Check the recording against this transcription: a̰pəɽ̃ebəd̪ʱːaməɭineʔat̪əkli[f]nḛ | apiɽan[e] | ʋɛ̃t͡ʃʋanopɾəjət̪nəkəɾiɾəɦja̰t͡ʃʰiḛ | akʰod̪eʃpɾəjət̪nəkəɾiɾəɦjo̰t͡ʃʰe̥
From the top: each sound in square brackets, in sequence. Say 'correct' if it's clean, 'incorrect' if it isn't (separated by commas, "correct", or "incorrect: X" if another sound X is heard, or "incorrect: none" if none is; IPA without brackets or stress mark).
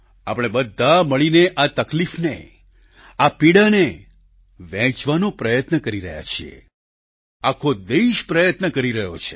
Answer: correct, correct